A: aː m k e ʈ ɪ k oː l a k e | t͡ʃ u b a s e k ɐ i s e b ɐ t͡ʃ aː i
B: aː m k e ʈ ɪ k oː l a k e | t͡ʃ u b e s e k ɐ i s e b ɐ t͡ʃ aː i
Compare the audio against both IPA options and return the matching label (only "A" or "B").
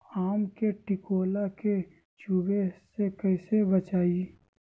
B